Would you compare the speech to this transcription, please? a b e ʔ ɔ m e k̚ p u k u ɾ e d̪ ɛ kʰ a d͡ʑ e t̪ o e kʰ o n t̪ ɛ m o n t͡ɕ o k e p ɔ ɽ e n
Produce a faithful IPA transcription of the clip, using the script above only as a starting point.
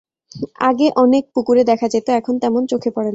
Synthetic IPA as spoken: a ɡ e ʔ ɔ n e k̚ p u k u ɾ e d̪ ɛ kʰ a d͡ʑ e t̪ o ɛ kʰ o n t̪ ɛ m o n t͡ɕ o kʰ e p ɔ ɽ e n